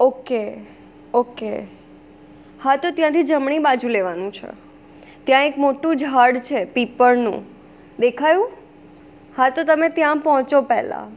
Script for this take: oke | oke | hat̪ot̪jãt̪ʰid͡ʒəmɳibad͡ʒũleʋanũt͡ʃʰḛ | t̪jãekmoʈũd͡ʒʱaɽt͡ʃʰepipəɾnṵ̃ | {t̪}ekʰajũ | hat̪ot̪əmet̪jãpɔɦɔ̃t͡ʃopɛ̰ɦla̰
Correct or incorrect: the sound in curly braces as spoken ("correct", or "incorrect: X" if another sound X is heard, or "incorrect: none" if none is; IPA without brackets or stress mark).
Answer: incorrect: d̪